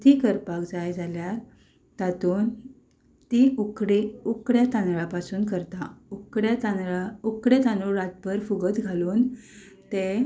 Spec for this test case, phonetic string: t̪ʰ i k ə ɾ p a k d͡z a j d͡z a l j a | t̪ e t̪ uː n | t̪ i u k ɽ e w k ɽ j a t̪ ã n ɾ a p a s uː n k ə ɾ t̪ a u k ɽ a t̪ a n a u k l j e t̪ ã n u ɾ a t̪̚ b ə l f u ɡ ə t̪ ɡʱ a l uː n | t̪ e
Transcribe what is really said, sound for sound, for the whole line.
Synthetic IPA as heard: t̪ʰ i k ə ɾ p a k d͡z a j d͡z a l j a | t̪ a t̪ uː n | t̪ i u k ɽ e u k ɽ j a t̪ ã n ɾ a p a s uː n k ə ɾ t̪ a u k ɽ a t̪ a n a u k ɽ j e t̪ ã n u ɾ a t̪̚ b ə ɾ f u ɡ ə t̪ ɡʱ a l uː n | t̪ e

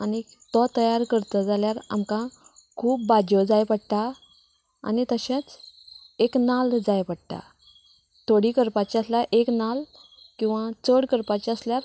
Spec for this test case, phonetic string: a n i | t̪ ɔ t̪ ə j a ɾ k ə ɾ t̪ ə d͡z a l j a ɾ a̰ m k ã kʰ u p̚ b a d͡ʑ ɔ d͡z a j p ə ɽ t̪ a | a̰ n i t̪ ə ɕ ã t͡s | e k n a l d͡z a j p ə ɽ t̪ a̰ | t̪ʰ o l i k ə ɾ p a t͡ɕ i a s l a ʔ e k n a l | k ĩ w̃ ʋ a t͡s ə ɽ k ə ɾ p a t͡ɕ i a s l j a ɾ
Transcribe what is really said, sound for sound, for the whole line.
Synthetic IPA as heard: a n i | t̪ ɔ t̪ ə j a ɾ k ə ɾ t̪ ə d͡z a l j a ɾ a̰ m k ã kʰ uː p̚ b a d͡ʑ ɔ d͡z a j p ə ɽ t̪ a | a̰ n i t̪ ə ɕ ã t͡s | e k n a l d͡z a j p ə ɽ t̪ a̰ | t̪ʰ o ɽ i k ə ɾ p a t͡ɕ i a s l a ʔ e k n a l | k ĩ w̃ ʋ a t͡s ə ɽ k ə ɾ p a t͡ɕ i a s l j a ɾ

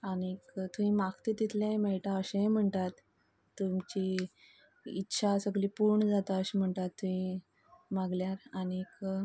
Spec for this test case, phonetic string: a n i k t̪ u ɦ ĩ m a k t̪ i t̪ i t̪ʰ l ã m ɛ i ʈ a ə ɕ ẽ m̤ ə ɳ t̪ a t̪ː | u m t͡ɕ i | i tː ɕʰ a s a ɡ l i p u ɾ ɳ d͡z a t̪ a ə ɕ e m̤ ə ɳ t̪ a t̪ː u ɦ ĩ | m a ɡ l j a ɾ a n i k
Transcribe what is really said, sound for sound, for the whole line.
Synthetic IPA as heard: a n i k t̪ u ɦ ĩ m a k t̪ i t̪ i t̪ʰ l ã m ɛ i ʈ a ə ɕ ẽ m̤ ə ɳ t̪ a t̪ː | u m t͡ɕ i | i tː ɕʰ a s ə ɡ l i p u ɾ ɳ d͡z a t̪ a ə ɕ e m̤ ə ɳ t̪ a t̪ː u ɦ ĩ | m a ɡ l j a ɾ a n i k

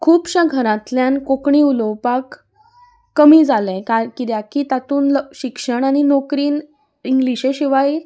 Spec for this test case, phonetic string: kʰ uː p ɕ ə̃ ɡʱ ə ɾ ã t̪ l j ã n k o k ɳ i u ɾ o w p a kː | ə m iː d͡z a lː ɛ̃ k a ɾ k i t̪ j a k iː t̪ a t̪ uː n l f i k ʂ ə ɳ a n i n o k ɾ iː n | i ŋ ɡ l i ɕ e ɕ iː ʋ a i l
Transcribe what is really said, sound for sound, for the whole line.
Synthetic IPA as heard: kʰ uː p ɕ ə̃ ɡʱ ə ɾ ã t̪ l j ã n k o k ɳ i u l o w p a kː | ə m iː d͡z a l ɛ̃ k a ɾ k i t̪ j a k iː t̪ a t̪ uː n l ɕ i k ʂ ə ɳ a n i n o k ɾ iː n | i ŋ ɡ l i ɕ e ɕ i ʋ a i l

